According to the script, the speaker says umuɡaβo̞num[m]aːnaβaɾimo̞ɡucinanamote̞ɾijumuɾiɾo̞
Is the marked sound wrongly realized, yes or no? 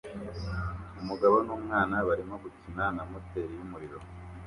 yes